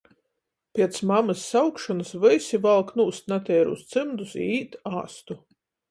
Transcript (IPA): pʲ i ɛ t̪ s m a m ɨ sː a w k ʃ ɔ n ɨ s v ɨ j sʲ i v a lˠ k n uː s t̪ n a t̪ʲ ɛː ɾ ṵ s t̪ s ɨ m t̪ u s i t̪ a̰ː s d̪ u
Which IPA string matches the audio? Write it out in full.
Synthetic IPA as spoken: pʲ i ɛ t̪ s m a m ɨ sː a w k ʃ ɔ n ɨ s v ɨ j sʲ i v a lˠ k n uː s t̪ n a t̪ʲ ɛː ɾ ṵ s t̪ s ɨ m d̪ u s iː t̪ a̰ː s t̪ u